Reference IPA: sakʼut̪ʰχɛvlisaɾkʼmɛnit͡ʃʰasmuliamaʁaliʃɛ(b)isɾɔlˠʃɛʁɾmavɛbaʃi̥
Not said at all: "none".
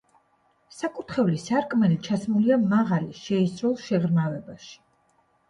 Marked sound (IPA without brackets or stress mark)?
none